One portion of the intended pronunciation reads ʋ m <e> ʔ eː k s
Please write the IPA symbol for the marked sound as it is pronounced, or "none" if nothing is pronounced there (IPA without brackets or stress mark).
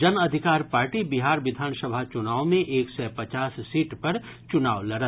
ẽ